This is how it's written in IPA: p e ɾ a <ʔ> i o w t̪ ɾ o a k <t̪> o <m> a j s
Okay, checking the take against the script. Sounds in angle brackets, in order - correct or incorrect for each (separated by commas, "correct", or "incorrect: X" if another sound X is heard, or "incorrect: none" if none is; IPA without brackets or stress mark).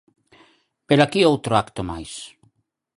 incorrect: k, correct, correct